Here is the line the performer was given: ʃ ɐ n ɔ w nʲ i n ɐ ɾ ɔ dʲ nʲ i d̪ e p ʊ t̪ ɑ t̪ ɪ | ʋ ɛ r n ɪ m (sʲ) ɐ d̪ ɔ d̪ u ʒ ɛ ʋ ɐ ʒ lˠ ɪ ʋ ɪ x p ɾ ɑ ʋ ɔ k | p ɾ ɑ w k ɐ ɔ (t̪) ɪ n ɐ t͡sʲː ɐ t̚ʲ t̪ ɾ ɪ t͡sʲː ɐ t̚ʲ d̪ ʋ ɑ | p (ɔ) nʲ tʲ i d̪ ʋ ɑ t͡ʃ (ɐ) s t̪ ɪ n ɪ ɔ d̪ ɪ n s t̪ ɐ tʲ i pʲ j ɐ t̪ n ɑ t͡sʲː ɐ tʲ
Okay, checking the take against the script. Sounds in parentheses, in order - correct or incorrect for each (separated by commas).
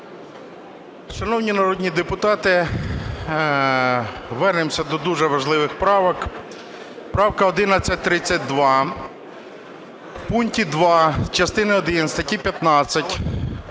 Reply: correct, incorrect, incorrect, correct